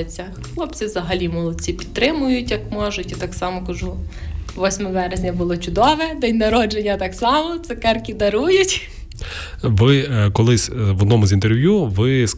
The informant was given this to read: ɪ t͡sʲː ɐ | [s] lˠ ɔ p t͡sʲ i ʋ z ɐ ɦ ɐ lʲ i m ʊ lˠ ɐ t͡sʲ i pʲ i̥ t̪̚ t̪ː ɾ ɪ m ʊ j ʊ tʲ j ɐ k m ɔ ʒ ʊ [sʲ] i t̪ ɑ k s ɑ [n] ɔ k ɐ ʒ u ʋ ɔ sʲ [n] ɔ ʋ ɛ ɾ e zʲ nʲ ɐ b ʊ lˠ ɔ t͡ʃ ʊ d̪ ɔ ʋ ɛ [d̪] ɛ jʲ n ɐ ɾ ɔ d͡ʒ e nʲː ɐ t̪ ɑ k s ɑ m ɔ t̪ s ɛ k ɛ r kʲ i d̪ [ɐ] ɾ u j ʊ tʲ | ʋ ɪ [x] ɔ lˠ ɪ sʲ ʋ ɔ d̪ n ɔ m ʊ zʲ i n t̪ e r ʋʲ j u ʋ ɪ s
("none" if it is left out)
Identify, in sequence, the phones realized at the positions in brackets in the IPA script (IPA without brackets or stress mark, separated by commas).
x, tʲ, m, m, d̪, ɐ, k